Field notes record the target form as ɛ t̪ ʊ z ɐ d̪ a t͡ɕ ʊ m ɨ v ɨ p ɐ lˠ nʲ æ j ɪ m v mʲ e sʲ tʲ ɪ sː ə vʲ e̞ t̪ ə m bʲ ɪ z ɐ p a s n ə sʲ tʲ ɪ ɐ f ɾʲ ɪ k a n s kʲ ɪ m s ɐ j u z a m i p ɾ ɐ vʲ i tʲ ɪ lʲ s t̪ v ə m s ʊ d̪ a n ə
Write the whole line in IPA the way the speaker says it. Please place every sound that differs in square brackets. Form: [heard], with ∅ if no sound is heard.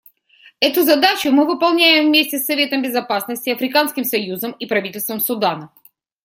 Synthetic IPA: ɛ t̪ ʊ z ɐ d̪ a t͡ɕ ʊ m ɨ v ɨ p ɐ lˠ nʲ æ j ɪ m v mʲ e sʲ tʲ ɪ sː [ɐ] vʲ e̞ t̪ ə m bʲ ɪ z ɐ p a s n ə sʲ tʲ ɪ ɐ f ɾʲ ɪ k a n s kʲ ɪ m s ɐ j u z [ə] m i p ɾ ɐ vʲ i tʲ ɪ lʲ s t̪ v ə m s ʊ d̪ a n ə